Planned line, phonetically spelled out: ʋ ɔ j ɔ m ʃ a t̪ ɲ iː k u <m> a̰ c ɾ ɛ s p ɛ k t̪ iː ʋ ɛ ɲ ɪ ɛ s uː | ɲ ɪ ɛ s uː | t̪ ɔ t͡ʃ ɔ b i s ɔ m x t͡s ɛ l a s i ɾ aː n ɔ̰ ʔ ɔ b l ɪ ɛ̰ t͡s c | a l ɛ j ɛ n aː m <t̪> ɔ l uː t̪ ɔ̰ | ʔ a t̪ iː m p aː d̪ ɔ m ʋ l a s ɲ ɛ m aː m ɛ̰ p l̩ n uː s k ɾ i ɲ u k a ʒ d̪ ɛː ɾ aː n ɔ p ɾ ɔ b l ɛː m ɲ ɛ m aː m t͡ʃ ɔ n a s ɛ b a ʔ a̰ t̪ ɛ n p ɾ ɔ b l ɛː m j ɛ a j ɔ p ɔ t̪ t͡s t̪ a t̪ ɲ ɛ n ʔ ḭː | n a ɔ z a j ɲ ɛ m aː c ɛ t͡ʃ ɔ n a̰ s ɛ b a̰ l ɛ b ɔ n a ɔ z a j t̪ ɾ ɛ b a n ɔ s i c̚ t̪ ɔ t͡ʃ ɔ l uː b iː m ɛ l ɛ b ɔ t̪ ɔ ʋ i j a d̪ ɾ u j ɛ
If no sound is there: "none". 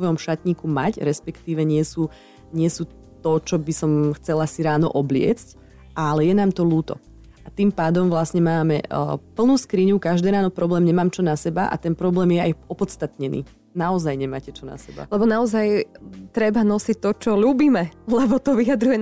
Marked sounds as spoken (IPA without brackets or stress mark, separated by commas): m, t̪